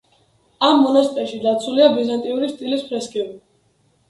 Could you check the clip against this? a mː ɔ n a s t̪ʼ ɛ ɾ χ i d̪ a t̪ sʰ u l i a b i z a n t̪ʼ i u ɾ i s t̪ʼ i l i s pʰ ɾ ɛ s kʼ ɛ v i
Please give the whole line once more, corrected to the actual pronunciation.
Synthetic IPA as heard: a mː ɔ n a s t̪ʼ ɛ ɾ ʃ i d̪ a t̪ sʰ u l i a b i z a n t̪ʼ i u ɾ i s t̪ʼ i l i s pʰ ɾ ɛ s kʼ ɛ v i